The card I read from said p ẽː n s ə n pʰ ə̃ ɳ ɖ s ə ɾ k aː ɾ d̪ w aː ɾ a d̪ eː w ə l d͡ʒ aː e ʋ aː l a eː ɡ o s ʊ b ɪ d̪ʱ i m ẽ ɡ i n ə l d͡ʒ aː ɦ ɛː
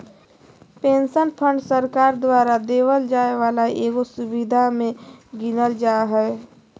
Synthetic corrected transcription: p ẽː n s ə n pʰ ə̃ ɳ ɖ s ə ɾ k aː ɾ d̪ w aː ɾ a d̪ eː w ə l d͡ʒ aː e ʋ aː l a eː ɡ o s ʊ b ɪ d̪ʱ a m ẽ ɡ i n ə l d͡ʒ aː ɦ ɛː